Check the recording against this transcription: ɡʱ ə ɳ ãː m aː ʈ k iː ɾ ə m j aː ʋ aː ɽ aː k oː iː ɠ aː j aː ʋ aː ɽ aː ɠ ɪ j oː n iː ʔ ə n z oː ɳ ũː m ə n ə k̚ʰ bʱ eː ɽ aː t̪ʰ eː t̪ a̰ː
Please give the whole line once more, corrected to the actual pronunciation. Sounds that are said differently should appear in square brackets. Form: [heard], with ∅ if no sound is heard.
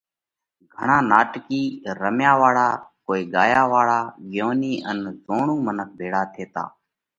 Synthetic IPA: ɡʱ ə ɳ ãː [n] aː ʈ k iː ɾ ə m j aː ʋ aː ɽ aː k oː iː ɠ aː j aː ʋ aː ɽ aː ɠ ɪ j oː n iː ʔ ə n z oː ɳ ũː m ə n ə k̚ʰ bʱ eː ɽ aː t̪ʰ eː t̪ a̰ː